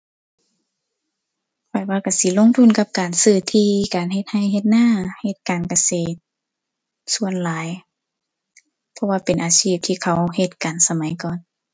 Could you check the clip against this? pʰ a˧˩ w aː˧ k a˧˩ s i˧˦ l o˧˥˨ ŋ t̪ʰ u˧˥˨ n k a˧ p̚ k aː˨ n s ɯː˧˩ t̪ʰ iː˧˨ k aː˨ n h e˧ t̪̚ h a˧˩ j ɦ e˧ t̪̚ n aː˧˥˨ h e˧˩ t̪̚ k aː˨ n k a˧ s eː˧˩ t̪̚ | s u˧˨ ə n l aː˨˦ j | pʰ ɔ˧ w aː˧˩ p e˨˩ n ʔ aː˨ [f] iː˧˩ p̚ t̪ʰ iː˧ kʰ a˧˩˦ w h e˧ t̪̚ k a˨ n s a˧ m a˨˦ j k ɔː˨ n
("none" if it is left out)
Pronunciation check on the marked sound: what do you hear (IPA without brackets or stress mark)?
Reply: s